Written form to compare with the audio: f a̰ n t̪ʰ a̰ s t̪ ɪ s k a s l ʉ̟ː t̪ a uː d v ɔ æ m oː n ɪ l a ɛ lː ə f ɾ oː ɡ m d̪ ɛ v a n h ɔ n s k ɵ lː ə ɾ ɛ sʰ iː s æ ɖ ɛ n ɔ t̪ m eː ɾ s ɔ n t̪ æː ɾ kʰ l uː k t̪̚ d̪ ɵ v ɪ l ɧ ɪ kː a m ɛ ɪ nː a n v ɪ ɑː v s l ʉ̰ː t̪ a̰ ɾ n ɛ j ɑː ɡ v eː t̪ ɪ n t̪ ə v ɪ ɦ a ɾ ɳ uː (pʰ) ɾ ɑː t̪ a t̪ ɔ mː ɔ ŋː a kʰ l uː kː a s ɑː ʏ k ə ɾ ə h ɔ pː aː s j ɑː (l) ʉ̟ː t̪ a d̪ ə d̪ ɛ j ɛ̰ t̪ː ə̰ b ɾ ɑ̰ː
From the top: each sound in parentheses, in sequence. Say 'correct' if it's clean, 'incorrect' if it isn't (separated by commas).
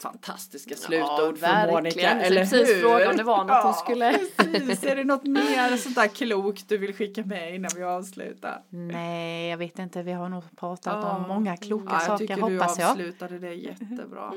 correct, correct